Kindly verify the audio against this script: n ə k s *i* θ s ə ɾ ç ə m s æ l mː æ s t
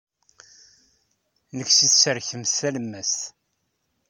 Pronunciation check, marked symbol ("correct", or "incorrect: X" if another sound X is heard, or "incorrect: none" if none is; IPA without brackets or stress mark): correct